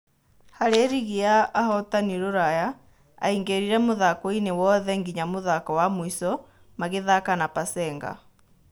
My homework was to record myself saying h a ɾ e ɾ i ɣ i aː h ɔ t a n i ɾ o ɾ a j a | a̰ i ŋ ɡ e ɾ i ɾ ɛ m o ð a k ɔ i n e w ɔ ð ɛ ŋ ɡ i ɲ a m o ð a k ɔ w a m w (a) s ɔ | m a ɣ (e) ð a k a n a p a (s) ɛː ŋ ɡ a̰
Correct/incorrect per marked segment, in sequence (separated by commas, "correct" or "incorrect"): incorrect, correct, correct